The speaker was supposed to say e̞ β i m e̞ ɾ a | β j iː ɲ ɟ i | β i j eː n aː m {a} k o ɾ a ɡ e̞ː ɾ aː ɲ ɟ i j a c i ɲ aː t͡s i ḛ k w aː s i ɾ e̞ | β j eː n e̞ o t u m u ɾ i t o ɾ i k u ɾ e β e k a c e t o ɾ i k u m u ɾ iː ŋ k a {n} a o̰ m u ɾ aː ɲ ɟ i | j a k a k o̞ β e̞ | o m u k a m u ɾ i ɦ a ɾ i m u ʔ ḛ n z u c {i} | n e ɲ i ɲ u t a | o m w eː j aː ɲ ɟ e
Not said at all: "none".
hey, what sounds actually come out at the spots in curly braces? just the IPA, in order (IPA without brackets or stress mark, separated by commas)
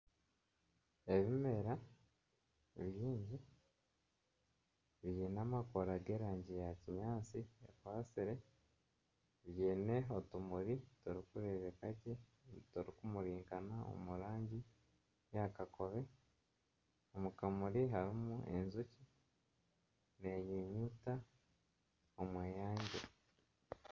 a, n, i